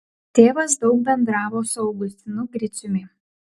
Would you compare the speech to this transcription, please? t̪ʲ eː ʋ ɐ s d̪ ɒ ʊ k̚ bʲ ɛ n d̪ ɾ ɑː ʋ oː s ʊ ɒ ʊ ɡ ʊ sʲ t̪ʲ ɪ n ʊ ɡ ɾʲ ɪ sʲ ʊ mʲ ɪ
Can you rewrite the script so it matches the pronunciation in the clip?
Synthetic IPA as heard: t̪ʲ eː ʋ ɐ s d̪ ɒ ʊ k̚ bʲ ɛ n d̪ ɾ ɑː ʋ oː s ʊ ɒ ʊ ɡ ʊ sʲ t̪ʲ ɪ n ʊ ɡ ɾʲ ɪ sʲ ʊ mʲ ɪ